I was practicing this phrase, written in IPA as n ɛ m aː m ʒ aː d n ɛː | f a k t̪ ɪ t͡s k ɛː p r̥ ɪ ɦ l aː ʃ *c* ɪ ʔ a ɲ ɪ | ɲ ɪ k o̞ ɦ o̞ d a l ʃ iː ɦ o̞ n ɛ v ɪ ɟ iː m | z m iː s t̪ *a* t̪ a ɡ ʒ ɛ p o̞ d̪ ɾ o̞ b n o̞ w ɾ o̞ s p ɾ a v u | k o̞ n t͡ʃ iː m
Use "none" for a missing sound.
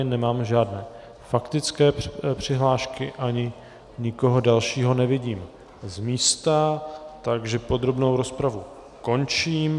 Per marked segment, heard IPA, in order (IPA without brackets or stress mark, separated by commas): k, a